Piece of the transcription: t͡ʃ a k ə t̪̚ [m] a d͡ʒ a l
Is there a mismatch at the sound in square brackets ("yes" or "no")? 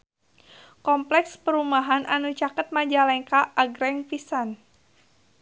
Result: no